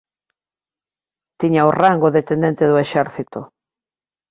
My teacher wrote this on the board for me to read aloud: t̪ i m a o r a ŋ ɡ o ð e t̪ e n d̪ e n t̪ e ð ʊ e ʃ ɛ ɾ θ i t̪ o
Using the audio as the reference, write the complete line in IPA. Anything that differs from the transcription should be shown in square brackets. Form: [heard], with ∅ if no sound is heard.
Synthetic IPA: t̪ i [ɲ] a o r a ŋ ɡ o ð e t̪ e n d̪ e n t̪ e ð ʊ e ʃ ɛ ɾ θ i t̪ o